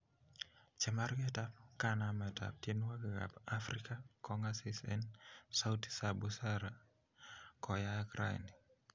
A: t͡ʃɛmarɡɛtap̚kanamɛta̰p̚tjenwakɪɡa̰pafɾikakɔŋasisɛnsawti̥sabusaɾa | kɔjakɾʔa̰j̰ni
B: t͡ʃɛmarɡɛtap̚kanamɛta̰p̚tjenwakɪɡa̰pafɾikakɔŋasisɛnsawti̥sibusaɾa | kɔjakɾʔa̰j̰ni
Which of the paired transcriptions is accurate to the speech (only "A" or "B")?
A